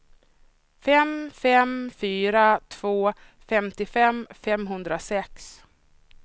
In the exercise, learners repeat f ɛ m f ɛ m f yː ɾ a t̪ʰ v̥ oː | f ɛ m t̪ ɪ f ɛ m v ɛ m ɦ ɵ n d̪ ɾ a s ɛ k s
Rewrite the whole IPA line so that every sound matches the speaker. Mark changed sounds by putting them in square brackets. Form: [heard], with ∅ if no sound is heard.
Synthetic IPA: f ɛ m f ɛ m f yː ɾ a t̪ʰ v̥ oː | f ɛ m t̪ ɪ f ɛ m [f] ɛ m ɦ ɵ n d̪ ɾ a s ɛ k s